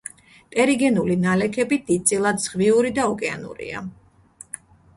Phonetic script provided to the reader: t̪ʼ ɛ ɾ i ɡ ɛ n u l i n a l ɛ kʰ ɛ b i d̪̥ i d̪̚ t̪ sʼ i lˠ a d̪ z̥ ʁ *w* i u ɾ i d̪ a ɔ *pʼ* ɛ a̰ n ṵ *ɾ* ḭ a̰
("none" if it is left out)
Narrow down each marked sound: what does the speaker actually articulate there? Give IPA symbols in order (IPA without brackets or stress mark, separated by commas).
v, kʼ, ɾ